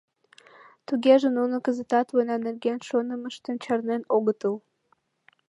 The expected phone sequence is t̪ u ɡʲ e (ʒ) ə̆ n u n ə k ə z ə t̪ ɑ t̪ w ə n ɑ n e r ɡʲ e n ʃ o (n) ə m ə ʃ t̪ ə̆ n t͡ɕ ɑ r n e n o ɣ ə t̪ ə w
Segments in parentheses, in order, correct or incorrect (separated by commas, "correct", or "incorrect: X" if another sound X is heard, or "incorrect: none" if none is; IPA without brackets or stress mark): correct, correct